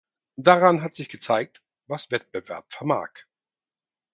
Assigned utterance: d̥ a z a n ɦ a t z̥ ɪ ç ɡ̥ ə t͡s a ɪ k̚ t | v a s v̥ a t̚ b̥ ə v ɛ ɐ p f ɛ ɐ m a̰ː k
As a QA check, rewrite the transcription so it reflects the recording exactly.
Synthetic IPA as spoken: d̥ a ʁ a n ɦ a t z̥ ɪ ç ɡ̥ ə t͡s a ɪ k̚ t | v a s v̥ ɛ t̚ b̥ ə v ɛ ɐ p f ɛ ɐ m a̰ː k